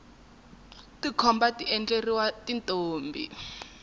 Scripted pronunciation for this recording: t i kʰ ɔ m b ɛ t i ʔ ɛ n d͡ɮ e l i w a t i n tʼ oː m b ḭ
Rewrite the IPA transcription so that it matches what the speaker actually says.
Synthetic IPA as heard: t i kʰ ɔ m b a t i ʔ ɛ n d͡ɮ e r i w a t i n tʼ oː m b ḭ